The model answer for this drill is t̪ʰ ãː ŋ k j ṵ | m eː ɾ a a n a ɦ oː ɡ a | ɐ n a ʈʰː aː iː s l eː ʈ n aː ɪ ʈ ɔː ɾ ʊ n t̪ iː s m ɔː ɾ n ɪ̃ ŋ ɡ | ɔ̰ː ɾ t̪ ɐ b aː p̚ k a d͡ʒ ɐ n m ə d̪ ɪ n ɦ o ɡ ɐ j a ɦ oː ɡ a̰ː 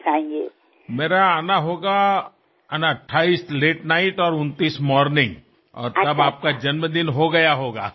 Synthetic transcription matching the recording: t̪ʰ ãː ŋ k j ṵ | m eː ɾ a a n a ɦ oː ɡ a | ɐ n a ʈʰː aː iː s l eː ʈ n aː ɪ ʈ ɔː ɾ ʊ n t̪ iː s m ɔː ɾ n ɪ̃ ŋ ɡ | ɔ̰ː ɾ t̪ ɐ b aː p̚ k a d͡ʒ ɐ n m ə d̪ ɪ n ɦ o ɡ ɐ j a ɦ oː ɡ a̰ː